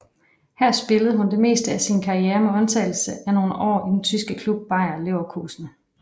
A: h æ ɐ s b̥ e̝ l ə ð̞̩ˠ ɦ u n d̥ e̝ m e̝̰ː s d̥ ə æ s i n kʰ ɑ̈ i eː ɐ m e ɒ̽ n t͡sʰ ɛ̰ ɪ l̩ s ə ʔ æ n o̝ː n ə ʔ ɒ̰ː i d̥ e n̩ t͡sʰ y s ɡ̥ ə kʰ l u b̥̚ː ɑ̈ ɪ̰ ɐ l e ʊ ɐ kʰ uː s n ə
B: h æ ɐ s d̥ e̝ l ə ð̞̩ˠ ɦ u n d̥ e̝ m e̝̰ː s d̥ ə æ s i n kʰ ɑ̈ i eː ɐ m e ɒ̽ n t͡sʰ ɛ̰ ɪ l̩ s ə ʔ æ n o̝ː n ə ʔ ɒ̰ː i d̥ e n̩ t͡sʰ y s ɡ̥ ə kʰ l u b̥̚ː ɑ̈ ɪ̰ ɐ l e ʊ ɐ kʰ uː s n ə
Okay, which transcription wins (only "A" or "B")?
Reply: A